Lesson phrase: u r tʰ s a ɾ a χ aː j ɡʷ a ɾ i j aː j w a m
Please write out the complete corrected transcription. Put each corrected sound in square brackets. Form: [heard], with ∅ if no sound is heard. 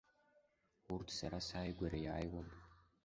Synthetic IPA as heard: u r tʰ s a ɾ a [s] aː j ɡʷ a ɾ [a] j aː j w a m